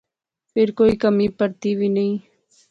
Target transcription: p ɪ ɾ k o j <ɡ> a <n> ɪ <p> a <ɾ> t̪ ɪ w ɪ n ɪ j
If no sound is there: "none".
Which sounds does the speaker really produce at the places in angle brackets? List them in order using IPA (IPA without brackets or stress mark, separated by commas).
k, m, p, ɾ